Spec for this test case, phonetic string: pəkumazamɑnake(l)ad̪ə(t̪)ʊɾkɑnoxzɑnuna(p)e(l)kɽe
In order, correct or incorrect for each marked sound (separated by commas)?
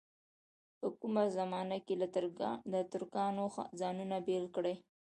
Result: correct, correct, incorrect, correct